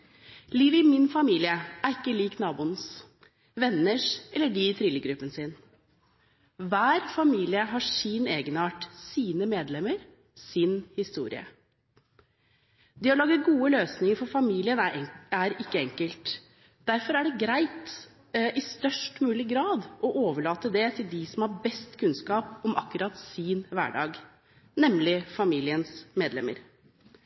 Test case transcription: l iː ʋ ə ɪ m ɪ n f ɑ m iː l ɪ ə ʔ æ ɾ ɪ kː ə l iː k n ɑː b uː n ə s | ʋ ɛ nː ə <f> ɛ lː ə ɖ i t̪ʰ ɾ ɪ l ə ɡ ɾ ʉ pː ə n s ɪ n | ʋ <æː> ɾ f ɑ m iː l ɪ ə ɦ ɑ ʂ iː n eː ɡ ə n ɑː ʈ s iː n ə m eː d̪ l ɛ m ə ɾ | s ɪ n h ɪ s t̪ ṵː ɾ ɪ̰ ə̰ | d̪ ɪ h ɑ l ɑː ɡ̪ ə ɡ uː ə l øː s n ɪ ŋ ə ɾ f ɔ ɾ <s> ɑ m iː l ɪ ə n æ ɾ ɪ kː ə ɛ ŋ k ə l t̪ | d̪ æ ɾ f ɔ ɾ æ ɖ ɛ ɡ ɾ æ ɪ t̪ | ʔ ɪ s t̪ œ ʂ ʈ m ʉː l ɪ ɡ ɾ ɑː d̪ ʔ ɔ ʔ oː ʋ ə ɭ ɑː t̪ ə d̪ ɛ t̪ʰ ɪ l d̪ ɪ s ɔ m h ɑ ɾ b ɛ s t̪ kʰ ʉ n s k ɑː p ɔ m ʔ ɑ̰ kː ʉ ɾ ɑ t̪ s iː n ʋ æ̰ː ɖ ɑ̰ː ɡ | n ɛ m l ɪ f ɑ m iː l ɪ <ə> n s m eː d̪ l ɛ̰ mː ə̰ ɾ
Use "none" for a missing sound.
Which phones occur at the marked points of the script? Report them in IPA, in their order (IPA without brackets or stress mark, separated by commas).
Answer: ʂ, æː, f, ə